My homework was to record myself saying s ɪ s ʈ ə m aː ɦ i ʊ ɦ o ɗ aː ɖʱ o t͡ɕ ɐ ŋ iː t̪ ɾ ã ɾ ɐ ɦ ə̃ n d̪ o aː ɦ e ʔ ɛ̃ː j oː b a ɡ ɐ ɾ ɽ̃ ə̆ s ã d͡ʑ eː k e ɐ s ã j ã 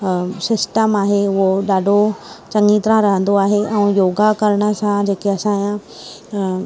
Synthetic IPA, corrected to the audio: s ɪ s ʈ ə m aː ɦ e ʊ ɦ o ɗ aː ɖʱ o t͡ɕ ɐ ŋ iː t̪ ɾ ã ɾ ɐ ɦ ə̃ n d̪ o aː ɦ e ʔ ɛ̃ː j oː ɡ a k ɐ ɾ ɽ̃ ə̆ s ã d͡ʑ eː k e ɐ s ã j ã